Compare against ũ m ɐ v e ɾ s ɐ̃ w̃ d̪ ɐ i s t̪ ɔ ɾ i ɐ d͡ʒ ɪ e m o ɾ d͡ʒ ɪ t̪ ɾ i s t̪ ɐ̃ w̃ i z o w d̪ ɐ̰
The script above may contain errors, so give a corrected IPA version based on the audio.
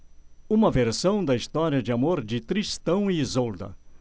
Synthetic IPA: ũ m ɐ v e ɾ s ɐ̃ w̃ d̪ ɐ i s t̪ ɔ ɾ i ɐ d͡ʒ ɪ a m o ɾ d͡ʒ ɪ t̪ ɾ i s t̪ ɐ̃ w̃ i z o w d̪ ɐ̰